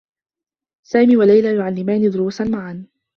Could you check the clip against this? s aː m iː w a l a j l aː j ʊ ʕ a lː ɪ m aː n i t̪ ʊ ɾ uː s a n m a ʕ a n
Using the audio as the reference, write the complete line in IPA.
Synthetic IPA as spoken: s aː m iː w a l a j l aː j ʊ ʕ a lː ɪ m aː n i d̪ ʊ ɾ uː s a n m a ʕ a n

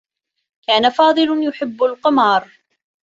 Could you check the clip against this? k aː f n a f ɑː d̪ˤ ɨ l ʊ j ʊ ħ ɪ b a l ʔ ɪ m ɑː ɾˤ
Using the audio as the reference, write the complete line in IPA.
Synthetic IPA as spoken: k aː n a f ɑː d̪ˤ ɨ l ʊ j ʊ ħ ɪ bː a l q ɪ m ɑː ɾˤ

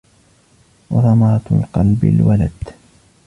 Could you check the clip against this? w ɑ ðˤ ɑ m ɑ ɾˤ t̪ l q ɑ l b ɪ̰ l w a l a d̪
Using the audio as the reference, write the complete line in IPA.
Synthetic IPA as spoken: w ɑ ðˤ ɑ m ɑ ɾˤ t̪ l q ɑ l b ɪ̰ l w a l a d̪

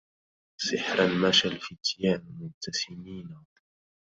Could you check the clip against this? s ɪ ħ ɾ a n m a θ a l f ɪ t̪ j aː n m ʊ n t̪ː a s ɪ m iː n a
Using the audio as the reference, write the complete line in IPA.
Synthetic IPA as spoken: s ɪ ħ ɾ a n m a ʃ a l f ɪ t̪ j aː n m ʊ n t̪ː a s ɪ m iː n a

